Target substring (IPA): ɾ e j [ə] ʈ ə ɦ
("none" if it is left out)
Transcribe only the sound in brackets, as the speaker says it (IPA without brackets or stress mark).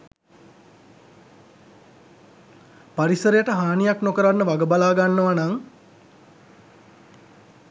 ə